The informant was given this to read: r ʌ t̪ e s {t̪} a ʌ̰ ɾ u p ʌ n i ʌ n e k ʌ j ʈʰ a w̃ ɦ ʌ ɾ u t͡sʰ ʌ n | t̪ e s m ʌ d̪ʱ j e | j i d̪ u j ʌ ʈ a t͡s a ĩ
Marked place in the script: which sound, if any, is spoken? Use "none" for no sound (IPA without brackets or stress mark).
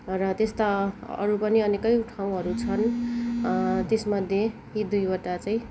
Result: t̪